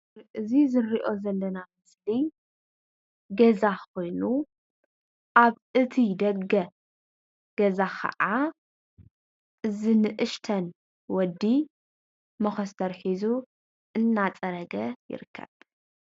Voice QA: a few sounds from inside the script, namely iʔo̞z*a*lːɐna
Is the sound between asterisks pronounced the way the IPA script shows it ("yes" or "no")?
no